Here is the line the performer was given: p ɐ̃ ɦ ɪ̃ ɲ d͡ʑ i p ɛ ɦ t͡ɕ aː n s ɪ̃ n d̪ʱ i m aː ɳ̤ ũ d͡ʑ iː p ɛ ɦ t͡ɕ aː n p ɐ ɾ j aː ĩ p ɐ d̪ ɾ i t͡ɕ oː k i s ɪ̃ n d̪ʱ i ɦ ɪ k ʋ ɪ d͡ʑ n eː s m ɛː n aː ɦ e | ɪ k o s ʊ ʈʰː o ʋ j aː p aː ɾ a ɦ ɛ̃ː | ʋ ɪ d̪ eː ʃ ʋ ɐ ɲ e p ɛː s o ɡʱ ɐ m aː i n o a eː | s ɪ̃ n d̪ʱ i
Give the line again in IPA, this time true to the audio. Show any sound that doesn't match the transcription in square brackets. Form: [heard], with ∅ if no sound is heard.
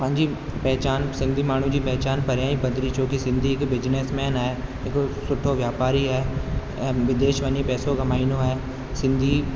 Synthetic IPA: p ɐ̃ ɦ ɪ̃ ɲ d͡ʑ i p ɛ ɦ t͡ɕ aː n s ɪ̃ n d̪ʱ i m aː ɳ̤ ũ d͡ʑ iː p ɛ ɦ t͡ɕ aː n p ɐ ɾ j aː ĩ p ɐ d̪ ɾ i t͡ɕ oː k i s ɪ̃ n d̪ʱ i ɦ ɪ k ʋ ɪ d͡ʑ n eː s m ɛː n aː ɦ e | ɪ k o s ʊ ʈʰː o ʋ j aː p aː ɾ [i] ɦ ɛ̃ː | ʋ ɪ d̪ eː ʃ ʋ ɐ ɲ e p ɛː s o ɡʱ ɐ m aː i n o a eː | s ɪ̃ n d̪ʱ i

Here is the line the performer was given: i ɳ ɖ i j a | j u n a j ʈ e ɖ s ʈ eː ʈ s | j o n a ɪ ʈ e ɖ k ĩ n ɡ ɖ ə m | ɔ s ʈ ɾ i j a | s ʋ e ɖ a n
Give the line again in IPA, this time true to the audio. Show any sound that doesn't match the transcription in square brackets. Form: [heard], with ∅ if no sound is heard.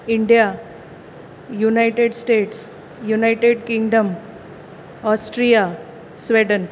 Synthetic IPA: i ɳ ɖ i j a | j u n a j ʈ e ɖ s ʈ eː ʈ s | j [u] n a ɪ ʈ e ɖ k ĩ [ŋ] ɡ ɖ ə m | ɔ s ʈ ɾ i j a | s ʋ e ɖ [ə] n

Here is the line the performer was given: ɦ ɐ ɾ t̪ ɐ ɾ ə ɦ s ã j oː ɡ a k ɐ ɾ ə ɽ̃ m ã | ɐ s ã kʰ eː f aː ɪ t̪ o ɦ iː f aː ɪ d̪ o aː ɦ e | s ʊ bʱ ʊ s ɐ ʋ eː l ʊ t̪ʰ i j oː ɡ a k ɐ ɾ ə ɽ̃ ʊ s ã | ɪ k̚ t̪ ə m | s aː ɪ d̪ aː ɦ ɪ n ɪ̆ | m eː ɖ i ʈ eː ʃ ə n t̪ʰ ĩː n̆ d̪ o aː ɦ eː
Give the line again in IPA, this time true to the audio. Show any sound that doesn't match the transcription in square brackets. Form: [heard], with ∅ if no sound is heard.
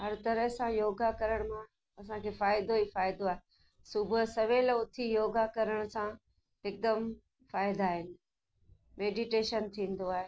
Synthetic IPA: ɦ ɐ ɾ t̪ ɐ ɾ ə ɦ s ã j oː ɡ a k ɐ ɾ ə ɽ̃ m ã | ɐ s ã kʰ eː f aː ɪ [d̪] o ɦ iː f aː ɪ d̪ o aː ɦ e | s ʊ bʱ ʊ s ɐ ʋ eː l ʊ t̪ʰ i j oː ɡ a k ɐ ɾ ə ɽ̃ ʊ s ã | ɪ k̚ [d̪] ə m | [f] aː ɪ d̪ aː ɦ ɪ n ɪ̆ | m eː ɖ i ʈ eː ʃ ə n t̪ʰ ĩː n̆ d̪ o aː ɦ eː

